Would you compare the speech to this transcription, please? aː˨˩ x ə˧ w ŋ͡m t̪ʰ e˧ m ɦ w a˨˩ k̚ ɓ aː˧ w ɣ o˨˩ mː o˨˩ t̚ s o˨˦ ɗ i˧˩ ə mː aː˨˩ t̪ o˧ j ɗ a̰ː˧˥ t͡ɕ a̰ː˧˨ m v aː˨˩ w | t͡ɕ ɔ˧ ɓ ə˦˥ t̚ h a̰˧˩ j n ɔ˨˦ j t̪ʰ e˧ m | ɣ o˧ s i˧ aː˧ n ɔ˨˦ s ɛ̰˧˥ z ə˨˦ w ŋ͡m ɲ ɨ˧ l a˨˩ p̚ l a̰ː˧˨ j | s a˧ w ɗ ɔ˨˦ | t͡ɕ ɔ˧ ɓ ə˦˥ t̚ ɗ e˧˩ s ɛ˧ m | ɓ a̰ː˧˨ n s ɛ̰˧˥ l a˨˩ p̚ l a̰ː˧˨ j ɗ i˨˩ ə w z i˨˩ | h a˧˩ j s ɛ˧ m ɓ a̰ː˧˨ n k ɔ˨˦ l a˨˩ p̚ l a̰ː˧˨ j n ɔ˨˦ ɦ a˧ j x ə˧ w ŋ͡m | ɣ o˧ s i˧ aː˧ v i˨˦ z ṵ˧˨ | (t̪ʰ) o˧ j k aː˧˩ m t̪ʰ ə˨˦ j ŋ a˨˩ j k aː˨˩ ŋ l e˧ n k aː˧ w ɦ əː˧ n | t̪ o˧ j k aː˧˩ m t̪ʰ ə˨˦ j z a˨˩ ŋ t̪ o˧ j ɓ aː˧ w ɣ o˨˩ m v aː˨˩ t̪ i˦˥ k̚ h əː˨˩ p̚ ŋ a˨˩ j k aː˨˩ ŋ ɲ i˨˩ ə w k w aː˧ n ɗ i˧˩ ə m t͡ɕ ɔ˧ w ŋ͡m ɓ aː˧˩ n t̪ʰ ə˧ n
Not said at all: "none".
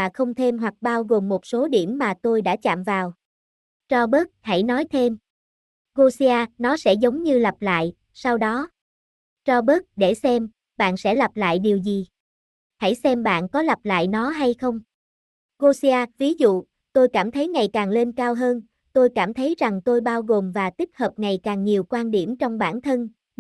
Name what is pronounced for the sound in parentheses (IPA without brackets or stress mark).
t̪